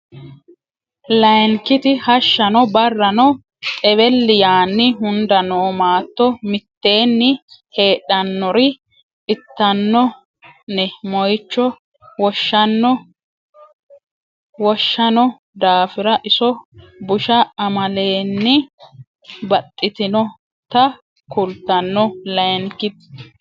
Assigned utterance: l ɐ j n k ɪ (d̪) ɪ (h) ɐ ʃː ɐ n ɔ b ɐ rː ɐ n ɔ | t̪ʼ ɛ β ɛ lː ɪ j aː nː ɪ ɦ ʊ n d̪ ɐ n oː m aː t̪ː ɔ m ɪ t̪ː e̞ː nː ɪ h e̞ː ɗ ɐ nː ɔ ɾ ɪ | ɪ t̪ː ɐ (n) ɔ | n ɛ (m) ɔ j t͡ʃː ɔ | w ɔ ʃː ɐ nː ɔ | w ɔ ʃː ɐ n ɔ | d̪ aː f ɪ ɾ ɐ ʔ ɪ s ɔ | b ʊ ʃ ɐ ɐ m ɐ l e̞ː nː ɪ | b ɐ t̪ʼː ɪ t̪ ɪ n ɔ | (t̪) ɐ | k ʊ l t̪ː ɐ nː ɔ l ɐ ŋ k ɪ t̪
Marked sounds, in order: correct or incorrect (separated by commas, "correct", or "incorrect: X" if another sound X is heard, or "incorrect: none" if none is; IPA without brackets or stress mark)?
incorrect: t̪, correct, incorrect: nː, correct, correct